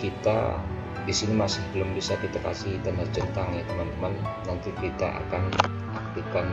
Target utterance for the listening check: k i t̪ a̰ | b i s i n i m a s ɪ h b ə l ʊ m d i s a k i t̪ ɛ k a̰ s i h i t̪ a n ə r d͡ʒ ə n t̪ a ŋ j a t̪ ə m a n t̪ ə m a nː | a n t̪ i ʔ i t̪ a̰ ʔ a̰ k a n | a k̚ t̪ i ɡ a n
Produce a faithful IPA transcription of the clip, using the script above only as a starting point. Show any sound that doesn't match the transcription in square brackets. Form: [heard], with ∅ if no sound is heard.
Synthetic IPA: k i t̪ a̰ | [d] i s i n i m a s ɪ h b ə l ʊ m [b] i s a k i t̪ [a] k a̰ s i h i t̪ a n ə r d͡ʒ ə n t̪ a ŋ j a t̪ ə m a n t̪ ə m a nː | a n t̪ i [k] i t̪ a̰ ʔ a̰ k a n | a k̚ t̪ i [k] a n